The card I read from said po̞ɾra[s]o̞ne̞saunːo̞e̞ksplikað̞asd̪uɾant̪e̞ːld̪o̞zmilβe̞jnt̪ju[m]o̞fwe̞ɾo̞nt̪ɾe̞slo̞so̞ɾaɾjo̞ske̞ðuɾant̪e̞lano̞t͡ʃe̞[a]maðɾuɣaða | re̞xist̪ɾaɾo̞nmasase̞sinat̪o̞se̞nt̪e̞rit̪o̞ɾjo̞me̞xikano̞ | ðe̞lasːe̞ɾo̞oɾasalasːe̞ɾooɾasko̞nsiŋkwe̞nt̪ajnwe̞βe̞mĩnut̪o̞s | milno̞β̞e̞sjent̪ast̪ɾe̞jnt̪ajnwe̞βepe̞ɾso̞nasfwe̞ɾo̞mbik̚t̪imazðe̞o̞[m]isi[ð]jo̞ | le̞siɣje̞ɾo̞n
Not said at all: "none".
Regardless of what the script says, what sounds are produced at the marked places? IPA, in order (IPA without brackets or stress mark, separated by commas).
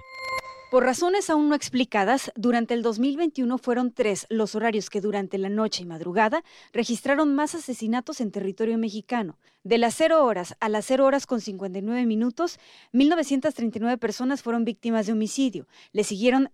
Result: s, n, i, m, ð